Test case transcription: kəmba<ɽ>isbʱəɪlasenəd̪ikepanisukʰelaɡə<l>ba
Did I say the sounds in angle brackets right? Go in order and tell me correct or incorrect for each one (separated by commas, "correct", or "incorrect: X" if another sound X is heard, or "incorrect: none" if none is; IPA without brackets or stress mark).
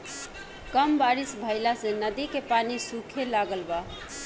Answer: incorrect: ɾ, correct